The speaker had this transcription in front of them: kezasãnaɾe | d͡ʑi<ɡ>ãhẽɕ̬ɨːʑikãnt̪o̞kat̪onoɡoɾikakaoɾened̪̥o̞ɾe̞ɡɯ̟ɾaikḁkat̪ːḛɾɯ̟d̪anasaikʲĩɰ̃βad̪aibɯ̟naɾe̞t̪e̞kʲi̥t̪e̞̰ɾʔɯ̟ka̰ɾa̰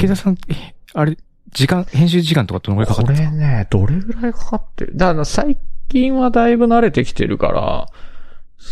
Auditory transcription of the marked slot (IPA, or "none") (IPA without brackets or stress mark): k